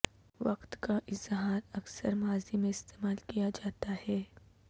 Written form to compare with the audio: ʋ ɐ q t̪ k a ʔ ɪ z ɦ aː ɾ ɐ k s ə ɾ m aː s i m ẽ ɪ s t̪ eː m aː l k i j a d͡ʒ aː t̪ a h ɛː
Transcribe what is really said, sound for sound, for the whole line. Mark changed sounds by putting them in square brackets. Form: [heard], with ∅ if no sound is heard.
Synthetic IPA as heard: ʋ ɐ q t̪ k a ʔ ɪ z ɦ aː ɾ ɐ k s ə ɾ m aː [z] i m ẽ ɪ s t̪ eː m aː l k i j a d͡ʒ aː t̪ a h ɛː